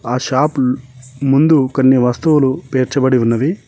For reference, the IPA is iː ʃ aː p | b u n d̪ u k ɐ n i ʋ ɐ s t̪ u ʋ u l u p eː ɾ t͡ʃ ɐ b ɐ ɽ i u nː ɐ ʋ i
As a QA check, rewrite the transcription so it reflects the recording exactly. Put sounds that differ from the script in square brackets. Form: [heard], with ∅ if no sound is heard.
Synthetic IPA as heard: [aː] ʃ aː p | [m] u n d̪ u k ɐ [nː] i ʋ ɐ s t̪ u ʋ u l u p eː ɾ t͡ʃ ɐ b ɐ ɽ i u nː ɐ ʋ i